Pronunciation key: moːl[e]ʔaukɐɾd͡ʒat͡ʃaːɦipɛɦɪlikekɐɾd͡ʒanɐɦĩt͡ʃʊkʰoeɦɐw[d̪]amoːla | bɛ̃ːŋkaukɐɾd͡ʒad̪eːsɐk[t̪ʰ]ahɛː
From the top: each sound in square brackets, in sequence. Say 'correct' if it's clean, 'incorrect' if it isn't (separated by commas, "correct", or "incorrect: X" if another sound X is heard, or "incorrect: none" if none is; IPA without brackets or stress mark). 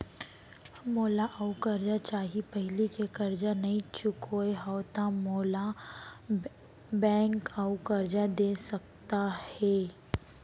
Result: incorrect: a, incorrect: t̪, incorrect: t̪